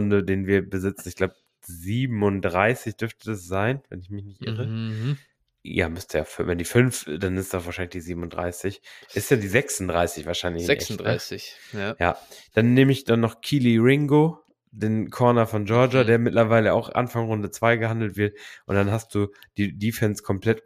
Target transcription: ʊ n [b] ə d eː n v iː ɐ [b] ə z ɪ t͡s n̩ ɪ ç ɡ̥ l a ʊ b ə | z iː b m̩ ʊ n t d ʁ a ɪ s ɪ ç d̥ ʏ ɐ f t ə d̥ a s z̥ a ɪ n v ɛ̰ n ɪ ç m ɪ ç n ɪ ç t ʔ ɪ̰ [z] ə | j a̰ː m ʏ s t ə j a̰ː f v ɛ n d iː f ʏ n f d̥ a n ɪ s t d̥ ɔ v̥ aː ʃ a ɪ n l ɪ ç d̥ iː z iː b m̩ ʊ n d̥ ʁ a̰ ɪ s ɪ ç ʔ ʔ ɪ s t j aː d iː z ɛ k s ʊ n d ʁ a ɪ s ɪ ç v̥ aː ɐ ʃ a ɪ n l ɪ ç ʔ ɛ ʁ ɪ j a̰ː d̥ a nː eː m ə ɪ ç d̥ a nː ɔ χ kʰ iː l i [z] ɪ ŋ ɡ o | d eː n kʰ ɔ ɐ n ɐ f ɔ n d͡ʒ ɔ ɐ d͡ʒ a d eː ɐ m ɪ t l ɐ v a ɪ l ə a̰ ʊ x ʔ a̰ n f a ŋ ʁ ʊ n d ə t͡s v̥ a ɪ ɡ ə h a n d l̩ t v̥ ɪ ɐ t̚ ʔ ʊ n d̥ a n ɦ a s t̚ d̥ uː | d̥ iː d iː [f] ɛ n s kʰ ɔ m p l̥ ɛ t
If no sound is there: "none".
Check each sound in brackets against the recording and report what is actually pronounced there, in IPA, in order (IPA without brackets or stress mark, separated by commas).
d, b, ʁ, ʁ, f